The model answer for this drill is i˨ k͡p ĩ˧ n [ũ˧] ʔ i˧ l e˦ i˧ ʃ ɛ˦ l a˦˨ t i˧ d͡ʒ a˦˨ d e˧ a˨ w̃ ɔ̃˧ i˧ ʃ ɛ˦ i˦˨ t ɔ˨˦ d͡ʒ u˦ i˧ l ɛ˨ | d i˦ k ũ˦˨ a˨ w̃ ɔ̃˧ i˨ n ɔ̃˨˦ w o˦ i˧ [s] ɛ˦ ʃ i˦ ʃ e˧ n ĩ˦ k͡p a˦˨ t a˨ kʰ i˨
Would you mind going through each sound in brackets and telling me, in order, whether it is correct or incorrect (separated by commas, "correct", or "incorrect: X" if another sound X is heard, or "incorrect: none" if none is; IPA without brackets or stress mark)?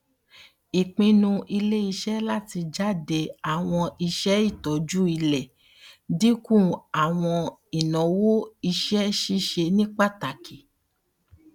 correct, incorrect: ʃ